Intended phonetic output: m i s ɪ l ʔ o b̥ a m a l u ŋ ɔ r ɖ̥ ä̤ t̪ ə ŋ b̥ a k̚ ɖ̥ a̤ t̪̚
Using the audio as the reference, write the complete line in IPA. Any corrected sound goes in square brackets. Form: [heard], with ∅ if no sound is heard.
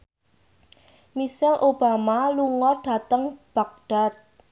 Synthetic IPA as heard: m i s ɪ l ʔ o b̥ a m a l u ŋ ɔ r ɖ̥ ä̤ t̪ ə ŋ b̥ a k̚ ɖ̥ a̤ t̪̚